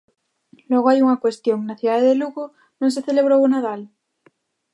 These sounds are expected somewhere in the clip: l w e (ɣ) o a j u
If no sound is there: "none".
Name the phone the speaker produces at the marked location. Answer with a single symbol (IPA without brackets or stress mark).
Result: ɣ